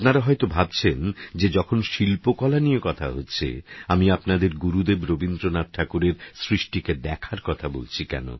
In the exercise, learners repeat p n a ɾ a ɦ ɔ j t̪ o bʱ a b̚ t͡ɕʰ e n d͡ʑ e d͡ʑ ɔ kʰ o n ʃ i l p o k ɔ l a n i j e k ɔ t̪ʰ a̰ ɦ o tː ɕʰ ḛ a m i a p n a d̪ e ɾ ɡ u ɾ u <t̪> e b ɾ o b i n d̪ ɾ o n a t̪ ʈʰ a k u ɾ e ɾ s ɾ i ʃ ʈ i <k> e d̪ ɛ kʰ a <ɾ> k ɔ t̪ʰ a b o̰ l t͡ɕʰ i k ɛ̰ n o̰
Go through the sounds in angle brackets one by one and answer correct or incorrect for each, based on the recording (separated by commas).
incorrect, correct, correct